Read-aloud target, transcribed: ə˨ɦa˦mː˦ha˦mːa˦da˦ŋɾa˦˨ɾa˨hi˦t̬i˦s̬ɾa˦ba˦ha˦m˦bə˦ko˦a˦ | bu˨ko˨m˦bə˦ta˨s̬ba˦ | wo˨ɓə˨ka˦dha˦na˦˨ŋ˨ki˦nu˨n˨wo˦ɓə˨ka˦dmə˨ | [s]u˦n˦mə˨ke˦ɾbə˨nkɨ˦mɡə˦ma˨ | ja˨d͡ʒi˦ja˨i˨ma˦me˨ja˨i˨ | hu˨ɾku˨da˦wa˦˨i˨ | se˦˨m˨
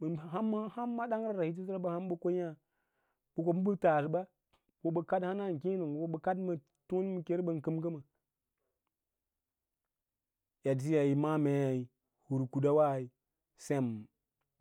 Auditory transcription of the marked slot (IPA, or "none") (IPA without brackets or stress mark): t